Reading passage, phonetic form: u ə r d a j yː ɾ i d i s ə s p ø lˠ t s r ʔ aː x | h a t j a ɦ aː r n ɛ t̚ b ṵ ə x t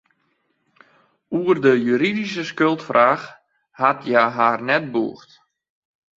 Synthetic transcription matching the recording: u ə r d ə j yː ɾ i d i s ə s k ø lˠ t f r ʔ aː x | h a t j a ɦ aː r n ɛ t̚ b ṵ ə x t